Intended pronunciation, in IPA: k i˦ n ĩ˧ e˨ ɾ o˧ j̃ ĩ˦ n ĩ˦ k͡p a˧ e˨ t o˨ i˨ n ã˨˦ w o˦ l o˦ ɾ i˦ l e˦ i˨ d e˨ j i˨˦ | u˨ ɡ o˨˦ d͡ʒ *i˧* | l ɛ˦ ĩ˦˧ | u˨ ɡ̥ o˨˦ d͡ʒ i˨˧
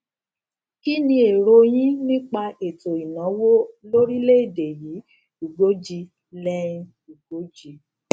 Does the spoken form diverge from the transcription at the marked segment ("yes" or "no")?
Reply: no